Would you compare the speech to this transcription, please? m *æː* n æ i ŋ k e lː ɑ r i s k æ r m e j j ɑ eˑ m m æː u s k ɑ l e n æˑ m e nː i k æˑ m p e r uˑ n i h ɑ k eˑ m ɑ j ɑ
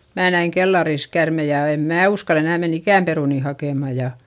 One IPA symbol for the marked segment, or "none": æː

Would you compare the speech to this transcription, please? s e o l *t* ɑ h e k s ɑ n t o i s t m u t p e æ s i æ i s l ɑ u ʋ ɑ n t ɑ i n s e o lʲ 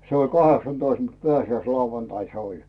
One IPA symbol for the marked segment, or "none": k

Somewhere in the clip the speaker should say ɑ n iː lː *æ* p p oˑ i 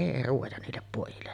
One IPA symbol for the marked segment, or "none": e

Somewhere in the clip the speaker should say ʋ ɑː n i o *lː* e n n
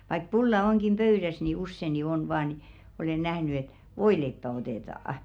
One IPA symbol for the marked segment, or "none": l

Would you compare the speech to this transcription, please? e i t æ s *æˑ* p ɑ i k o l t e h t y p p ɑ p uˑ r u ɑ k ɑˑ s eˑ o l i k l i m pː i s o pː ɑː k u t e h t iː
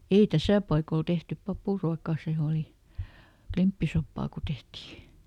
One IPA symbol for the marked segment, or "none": æˑ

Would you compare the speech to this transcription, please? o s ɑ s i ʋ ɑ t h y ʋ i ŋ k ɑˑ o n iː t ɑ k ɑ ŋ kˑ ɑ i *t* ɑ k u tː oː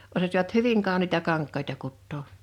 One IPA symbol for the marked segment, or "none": t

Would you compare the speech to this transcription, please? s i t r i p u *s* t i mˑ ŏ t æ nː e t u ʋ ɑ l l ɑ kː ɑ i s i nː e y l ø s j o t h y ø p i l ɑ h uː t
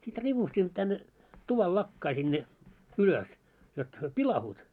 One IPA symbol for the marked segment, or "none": s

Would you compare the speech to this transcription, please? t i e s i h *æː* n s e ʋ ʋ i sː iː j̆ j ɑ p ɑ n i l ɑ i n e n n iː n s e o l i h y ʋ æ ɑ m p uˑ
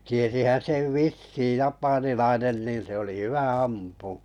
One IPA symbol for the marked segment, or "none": æ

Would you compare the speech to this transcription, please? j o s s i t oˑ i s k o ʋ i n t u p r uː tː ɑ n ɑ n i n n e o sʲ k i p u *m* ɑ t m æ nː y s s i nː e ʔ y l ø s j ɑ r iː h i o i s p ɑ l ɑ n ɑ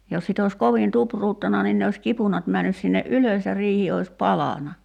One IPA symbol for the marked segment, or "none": n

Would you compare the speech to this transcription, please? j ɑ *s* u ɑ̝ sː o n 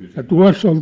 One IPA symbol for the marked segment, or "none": t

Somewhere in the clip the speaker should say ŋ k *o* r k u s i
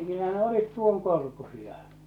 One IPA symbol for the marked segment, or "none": o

